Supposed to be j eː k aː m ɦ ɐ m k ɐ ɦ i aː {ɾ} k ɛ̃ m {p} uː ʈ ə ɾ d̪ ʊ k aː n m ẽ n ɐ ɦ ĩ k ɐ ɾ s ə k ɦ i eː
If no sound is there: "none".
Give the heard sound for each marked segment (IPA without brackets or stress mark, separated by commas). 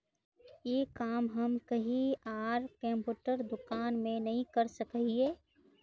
ɾ, p